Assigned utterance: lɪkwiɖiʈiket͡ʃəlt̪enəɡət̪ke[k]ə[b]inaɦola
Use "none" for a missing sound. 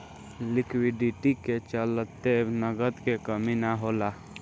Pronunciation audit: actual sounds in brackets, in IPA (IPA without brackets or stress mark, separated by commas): k, m